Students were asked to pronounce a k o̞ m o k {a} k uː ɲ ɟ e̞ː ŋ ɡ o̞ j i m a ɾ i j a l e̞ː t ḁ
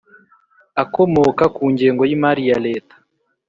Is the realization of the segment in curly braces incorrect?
no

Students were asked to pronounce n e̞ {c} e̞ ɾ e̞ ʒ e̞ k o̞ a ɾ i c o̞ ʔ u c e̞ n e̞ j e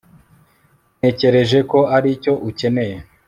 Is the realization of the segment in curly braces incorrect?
no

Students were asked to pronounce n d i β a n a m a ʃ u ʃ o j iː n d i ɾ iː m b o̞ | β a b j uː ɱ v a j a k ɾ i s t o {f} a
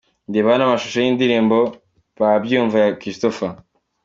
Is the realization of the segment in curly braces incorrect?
no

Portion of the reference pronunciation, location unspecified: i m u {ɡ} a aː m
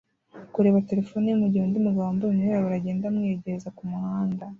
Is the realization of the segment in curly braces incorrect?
no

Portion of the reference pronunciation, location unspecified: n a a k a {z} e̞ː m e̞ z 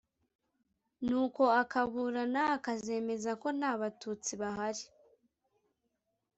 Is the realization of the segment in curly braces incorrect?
no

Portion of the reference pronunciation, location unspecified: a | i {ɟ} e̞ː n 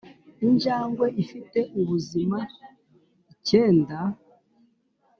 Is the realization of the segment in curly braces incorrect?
yes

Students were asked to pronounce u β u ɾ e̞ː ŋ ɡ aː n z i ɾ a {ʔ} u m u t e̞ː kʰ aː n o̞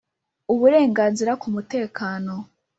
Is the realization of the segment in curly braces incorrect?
yes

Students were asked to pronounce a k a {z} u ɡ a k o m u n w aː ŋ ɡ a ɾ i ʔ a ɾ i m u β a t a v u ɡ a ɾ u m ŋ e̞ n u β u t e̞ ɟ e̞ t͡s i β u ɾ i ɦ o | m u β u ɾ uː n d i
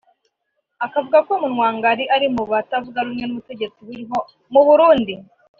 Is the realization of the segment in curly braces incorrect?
yes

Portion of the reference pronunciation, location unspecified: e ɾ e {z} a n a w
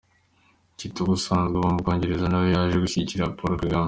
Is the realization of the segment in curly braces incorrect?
no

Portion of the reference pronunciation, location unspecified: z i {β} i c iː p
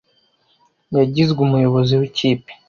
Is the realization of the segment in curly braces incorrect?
yes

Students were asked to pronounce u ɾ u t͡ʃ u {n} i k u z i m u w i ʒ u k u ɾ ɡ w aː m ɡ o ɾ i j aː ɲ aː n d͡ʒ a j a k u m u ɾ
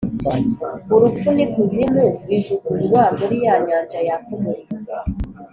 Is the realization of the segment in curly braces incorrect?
no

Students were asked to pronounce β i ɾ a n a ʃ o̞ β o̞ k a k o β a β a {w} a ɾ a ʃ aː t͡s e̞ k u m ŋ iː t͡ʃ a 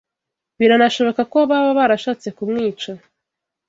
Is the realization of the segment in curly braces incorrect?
yes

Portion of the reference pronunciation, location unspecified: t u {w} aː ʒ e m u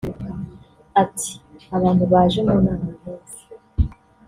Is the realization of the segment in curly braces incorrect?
yes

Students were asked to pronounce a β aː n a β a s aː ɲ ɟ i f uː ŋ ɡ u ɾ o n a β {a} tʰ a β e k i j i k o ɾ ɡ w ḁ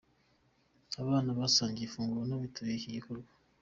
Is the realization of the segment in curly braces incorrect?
yes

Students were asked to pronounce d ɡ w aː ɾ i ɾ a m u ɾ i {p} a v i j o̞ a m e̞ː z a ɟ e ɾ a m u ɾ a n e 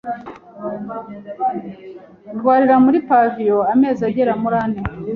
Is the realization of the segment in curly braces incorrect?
no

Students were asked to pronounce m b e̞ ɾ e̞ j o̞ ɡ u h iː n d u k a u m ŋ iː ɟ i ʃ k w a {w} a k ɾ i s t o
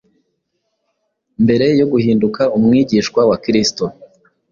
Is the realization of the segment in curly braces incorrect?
no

